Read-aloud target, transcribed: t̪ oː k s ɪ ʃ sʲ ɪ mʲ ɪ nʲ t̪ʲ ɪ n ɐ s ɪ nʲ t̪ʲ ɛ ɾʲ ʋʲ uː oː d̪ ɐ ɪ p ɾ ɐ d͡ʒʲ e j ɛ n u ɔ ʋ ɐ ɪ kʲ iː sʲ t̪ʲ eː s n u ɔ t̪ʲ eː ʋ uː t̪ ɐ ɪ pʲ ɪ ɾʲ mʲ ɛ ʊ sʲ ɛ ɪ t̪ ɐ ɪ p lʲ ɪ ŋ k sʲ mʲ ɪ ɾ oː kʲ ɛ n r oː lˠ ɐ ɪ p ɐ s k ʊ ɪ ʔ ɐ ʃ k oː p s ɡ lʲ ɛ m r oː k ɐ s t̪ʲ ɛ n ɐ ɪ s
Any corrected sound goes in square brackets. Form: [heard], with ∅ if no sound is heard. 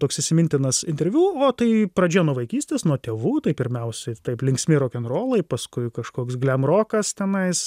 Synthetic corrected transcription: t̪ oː k s ɪ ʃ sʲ ɪ mʲ ɪ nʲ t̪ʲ ɪ n ɐ s ɪ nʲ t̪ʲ ɛ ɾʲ ʋʲ uː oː [t̪] ɐ ɪ p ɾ ɐ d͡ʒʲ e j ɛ n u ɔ ʋ ɐ ɪ kʲ iː sʲ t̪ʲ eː s n u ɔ t̪ʲ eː ʋ uː t̪ ɐ ɪ pʲ ɪ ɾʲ mʲ ɛ ʊ sʲ ɛ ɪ t̪ ɐ ɪ p lʲ ɪ ŋ k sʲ mʲ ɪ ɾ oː kʲ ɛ n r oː lˠ ɐ ɪ p ɐ s k ʊ ɪ [k] ɐ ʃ k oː [k] s ɡ lʲ ɛ m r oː k ɐ s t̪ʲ ɛ n ɐ ɪ s

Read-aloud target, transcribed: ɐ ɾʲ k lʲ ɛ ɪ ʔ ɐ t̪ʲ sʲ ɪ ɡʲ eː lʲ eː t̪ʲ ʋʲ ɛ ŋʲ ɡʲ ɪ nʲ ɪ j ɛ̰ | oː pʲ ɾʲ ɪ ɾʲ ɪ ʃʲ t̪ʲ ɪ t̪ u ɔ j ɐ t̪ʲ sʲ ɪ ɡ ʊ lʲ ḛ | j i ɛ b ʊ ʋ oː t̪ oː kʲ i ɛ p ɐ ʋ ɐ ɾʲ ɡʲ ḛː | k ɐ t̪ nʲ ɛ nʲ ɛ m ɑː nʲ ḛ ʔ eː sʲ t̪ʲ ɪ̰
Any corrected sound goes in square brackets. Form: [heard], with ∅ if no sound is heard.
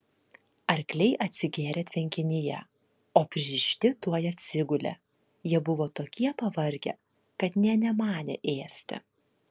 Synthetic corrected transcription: ɐ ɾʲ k lʲ ɛ ɪ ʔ ɐ t̪ʲ sʲ ɪ ɡʲ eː [ɾʲ] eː t̪ʲ ʋʲ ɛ ŋʲ [kʲ] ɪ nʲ ɪ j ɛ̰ | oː pʲ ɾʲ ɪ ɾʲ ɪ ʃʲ t̪ʲ ɪ t̪ u ɔ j ɐ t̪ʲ sʲ ɪ ɡ ʊ lʲ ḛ | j i ɛ b ʊ ʋ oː t̪ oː kʲ i ɛ p ɐ ʋ ɐ ɾʲ ɡʲ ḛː | k ɐ t̪ nʲ ɛ nʲ ɛ m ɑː nʲ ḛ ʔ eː sʲ t̪ʲ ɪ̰

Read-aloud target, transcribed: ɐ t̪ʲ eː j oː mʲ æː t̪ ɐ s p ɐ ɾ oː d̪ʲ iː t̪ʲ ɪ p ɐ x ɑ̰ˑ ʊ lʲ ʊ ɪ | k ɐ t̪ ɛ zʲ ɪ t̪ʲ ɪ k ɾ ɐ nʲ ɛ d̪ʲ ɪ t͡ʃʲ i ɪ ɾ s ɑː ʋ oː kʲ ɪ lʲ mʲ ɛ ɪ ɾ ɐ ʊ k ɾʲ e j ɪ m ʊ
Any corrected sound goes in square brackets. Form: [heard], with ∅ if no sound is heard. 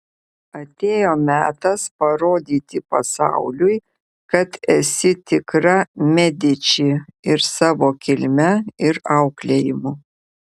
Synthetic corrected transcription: ɐ t̪ʲ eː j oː mʲ æː t̪ ɐ s p ɐ ɾ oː d̪ʲ iː t̪ʲ ɪ p ɐ [s] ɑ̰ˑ ʊ lʲ ʊ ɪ | k ɐ t̪ ɛ [sʲ] ɪ t̪ʲ ɪ k ɾ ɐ [mʲ] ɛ d̪ʲ ɪ t͡ʃʲ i ɪ ɾ s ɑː ʋ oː kʲ ɪ lʲ mʲ ɛ ɪ ɾ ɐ ʊ k [lʲ] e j ɪ m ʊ

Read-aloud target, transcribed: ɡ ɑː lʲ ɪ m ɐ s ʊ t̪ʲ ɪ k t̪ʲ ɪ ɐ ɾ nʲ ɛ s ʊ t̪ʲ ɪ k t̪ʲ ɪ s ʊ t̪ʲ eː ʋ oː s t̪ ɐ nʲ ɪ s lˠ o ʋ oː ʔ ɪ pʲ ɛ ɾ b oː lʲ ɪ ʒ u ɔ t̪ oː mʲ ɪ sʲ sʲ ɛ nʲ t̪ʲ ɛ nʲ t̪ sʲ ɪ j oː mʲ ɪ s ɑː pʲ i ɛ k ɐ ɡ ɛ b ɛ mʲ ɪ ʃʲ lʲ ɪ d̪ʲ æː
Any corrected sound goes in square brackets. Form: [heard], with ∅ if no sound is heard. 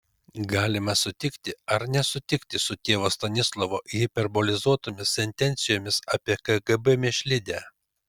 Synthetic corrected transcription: ɡ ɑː lʲ ɪ m ɐ s ʊ t̪ʲ ɪ k t̪ʲ ɪ ɐ ɾ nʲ ɛ s ʊ t̪ʲ ɪ k t̪ʲ ɪ s ʊ t̪ʲ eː ʋ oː s t̪ ɐ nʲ ɪ s lˠ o ʋ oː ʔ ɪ pʲ ɛ ɾ b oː lʲ ɪ [z] u ɔ t̪ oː mʲ ɪ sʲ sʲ ɛ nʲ t̪ʲ ɛ nʲ t̪ sʲ ɪ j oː mʲ ɪ s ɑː pʲ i ɛ k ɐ ɡ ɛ b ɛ mʲ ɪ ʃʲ lʲ ɪ d̪ʲ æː

